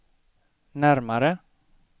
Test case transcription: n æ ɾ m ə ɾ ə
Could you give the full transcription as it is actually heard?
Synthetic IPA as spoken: n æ ɾ m a ɾ ə